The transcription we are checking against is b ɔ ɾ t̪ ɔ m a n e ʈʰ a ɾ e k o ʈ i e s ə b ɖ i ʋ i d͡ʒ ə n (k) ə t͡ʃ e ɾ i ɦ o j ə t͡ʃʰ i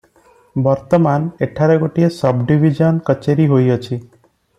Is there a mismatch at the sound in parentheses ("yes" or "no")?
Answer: no